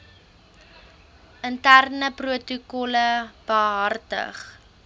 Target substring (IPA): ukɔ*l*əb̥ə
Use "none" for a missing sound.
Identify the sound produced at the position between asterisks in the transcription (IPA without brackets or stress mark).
l